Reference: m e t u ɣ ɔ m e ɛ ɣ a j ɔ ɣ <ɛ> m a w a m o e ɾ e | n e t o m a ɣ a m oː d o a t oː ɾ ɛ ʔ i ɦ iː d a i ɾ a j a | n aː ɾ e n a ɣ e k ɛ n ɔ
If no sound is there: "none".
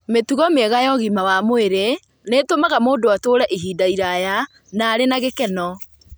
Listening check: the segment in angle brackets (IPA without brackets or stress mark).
i